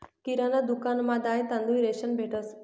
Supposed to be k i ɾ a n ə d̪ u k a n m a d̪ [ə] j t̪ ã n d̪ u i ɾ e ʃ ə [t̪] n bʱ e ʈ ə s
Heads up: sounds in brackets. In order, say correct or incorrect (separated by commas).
incorrect, incorrect